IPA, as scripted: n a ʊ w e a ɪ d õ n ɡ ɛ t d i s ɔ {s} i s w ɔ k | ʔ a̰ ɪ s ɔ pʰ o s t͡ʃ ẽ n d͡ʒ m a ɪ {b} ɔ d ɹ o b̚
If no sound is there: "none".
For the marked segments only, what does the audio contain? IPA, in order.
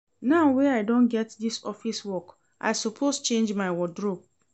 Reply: f, w

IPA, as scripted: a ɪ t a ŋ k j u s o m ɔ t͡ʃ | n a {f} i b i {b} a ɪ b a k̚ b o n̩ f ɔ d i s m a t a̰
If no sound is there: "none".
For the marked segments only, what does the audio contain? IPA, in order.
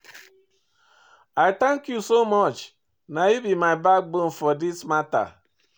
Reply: none, m

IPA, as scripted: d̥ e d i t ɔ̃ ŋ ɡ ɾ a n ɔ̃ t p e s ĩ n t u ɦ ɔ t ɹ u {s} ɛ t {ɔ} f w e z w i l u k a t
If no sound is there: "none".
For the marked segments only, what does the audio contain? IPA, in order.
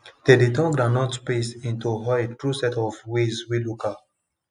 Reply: s, ɔ

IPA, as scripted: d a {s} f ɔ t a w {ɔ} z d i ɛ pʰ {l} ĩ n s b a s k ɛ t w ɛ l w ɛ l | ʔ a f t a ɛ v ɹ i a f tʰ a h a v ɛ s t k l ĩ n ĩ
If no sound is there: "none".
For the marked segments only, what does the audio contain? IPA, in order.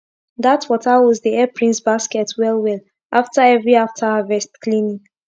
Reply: t, ɔ, ɹ

